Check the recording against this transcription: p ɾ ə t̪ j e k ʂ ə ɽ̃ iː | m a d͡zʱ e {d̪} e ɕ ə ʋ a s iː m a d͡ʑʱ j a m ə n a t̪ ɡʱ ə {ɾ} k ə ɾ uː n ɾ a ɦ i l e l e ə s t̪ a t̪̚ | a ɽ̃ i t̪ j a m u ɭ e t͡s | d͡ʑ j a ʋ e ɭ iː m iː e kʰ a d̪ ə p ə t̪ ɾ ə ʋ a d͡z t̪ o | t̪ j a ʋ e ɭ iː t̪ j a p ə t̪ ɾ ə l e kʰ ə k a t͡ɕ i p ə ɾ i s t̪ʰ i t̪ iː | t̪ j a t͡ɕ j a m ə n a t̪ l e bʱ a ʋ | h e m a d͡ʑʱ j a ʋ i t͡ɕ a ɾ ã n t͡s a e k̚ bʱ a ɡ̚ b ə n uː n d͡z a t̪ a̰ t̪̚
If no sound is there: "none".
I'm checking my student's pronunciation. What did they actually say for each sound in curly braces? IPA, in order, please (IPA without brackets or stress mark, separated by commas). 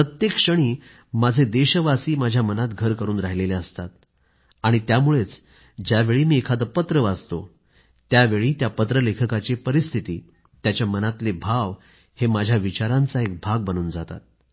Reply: d̪, ɾ